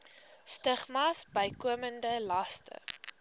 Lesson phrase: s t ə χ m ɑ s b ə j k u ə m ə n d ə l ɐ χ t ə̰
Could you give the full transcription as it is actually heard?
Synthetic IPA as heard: s t ə χ m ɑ s b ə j k u ə m ə n d ə l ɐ s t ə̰